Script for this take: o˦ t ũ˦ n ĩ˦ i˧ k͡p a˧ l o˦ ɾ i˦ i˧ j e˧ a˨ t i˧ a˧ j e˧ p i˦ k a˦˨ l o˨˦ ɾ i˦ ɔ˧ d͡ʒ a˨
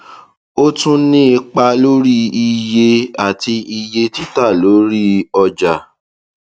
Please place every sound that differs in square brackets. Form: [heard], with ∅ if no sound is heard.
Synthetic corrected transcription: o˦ t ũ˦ n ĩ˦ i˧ k͡p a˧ l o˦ ɾ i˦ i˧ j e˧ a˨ t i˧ [i˧] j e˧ [t] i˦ [t] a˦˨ l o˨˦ ɾ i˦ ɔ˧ d͡ʒ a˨